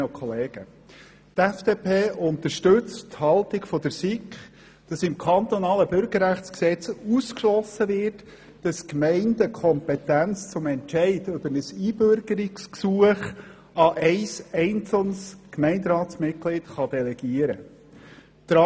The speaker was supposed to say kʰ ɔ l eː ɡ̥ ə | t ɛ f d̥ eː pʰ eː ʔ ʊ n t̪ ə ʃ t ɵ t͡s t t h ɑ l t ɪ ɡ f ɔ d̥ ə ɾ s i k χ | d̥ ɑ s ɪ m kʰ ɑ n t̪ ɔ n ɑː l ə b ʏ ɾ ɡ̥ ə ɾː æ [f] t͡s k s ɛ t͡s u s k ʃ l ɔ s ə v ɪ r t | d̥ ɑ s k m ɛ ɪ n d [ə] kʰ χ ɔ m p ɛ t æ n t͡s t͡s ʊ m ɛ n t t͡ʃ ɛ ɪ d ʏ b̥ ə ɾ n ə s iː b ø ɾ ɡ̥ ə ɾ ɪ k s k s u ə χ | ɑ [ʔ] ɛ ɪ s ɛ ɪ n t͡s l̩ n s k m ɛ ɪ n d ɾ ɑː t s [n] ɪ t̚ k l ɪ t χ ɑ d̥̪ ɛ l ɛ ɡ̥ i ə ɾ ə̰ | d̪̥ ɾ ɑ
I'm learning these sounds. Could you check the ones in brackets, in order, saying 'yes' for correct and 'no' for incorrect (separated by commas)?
no, yes, yes, no